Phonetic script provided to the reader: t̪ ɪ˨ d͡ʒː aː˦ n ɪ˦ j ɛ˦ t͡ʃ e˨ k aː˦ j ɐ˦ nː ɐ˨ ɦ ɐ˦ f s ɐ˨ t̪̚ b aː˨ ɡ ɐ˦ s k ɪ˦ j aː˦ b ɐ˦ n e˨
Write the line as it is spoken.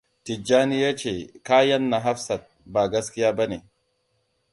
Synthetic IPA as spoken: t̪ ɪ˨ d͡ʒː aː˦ n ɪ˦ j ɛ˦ t͡ʃ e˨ k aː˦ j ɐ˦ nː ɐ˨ ɦ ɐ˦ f s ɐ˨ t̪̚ b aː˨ ɡ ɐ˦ s k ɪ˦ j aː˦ b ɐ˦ n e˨